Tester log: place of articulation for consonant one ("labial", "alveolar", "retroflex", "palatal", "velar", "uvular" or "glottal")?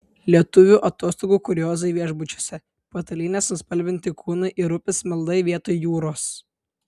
alveolar